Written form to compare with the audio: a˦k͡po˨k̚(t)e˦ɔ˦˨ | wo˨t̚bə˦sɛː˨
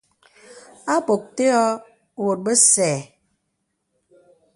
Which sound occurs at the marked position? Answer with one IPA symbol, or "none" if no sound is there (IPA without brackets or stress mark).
t